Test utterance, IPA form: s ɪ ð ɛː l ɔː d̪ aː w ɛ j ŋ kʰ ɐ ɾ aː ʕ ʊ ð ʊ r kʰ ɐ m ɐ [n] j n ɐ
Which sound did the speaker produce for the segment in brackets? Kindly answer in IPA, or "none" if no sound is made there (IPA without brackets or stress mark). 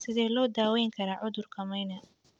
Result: none